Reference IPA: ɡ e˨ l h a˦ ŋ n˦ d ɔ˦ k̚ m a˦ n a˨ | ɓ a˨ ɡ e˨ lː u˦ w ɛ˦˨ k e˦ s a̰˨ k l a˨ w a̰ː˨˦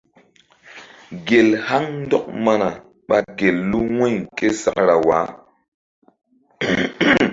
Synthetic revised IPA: ɡ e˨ l h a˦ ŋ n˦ d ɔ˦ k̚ m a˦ n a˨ | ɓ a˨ ɡ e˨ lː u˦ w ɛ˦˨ k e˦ s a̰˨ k ɾ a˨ w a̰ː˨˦